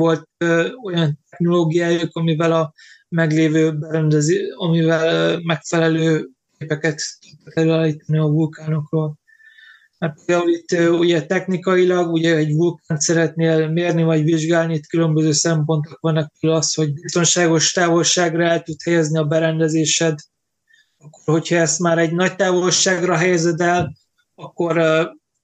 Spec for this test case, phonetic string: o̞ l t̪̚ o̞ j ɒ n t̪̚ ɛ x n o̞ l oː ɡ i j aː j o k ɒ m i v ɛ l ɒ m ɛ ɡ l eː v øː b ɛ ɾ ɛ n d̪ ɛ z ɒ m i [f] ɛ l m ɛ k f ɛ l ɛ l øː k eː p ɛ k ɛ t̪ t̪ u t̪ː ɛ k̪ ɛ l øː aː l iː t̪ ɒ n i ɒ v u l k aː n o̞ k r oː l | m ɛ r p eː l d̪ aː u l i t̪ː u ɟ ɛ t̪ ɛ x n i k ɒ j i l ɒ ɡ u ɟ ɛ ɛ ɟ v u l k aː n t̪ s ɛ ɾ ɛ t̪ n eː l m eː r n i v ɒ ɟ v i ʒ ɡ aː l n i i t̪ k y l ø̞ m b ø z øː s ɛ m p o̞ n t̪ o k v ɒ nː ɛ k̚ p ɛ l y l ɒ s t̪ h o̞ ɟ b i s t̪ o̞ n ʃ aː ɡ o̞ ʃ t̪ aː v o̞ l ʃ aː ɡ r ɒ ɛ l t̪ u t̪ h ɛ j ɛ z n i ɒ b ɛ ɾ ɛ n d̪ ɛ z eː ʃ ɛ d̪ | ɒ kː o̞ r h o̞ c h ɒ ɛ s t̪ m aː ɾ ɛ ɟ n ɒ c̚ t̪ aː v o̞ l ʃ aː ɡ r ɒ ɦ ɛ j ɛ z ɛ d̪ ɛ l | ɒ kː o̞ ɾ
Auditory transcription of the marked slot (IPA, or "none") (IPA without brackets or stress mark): v